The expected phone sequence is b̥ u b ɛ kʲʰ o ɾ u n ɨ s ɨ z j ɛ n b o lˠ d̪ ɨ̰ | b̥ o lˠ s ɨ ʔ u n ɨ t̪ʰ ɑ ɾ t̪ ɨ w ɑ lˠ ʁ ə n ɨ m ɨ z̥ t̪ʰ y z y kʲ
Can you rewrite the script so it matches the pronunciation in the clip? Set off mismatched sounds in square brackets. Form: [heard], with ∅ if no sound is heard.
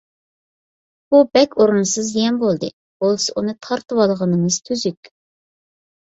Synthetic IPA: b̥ u b ɛ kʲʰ o ɾ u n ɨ s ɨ z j ɛ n b o lˠ d̪ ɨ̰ | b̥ o lˠ s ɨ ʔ u n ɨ t̪ʰ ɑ ɾ t̪ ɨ w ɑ lˠ ʁ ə n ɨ [ŋ] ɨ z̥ t̪ʰ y z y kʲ